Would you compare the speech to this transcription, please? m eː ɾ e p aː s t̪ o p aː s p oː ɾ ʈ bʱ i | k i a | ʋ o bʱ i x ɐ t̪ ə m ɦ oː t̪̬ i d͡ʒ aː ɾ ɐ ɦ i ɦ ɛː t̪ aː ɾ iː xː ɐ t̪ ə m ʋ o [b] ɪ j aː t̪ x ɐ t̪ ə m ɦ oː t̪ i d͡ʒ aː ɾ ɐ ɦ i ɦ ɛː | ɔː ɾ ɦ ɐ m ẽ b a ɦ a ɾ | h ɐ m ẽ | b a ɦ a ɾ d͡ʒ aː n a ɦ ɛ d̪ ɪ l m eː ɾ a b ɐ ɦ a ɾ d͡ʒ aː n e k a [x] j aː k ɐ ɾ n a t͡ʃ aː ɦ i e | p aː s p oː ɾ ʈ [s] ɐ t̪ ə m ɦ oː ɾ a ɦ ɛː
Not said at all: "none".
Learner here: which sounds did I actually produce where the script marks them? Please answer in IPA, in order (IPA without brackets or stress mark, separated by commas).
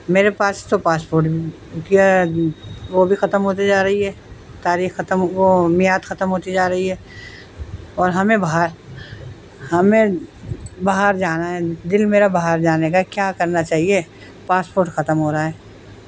m, k, x